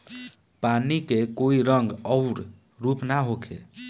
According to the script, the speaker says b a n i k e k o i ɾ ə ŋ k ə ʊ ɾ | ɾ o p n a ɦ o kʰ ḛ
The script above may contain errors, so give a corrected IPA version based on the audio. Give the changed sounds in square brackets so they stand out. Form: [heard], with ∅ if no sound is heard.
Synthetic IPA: [p] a n i k e k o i ɾ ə ŋ [ɡ] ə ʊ ɾ | ɾ [u] p n a ɦ o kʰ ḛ

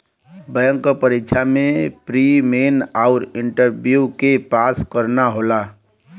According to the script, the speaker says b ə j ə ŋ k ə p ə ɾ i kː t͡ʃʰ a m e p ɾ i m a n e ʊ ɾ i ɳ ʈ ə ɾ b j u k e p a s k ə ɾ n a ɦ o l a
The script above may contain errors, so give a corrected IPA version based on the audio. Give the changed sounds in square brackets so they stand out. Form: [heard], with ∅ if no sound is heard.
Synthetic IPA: b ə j ə ŋ k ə p ə ɾ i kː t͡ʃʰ a m e p ɾ i m [e] n [a] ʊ ɾ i ɳ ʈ ə ɾ b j u k e p a s k ə ɾ n a ɦ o l a

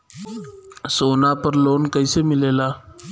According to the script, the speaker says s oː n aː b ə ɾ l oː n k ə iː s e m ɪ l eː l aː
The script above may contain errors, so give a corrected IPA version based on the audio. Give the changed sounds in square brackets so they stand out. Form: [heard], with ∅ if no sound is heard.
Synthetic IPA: s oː n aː [p] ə ɾ l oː n k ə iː s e m ɪ l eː l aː

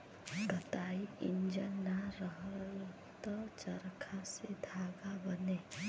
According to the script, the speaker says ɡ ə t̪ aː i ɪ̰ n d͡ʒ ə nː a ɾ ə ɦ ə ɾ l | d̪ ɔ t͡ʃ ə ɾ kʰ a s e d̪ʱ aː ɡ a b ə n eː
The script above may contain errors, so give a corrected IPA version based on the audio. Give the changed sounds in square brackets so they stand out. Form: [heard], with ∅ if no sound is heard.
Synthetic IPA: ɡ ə t̪ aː i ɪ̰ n d͡ʒ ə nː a ɾ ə ɦ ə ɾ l | [t̪] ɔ t͡ʃ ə ɾ kʰ a s e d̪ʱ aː ɡ a b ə n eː

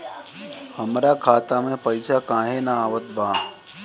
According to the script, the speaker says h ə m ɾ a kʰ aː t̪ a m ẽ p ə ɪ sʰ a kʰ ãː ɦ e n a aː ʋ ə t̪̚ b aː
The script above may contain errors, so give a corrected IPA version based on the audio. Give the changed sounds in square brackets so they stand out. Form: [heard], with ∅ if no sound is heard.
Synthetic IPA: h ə m ɾ a kʰ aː t̪ a m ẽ p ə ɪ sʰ a [k] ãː ɦ e n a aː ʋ ə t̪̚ b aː

